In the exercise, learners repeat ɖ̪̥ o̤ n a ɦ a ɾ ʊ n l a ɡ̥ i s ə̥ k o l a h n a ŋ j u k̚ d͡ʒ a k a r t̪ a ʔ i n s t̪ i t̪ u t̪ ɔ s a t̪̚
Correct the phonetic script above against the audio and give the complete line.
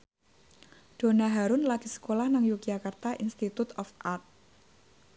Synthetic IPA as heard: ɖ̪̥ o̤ n a ɦ a ɾ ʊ n l a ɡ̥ i s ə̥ k o l a h n a ŋ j u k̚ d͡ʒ a k a r t̪ a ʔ i n s t̪ i t̪ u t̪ ɔ f a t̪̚